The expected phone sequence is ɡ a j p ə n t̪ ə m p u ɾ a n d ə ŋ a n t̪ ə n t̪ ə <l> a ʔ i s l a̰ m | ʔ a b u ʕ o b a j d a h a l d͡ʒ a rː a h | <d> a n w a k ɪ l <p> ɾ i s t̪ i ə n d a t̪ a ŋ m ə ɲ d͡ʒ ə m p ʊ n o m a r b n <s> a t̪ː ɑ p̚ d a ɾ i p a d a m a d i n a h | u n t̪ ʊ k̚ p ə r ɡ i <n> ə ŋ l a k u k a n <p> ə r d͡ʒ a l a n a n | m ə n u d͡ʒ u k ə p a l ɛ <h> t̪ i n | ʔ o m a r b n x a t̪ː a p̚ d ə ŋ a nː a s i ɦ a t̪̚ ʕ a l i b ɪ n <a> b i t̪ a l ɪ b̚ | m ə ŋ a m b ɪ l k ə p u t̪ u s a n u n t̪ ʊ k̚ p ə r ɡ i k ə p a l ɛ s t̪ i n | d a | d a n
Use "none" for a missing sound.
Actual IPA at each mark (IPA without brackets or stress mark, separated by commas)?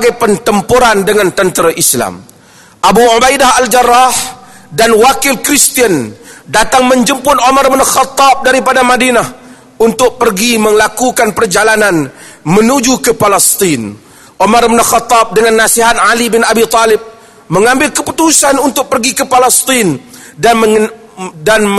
ɾ, d, k, x, m, p, s, a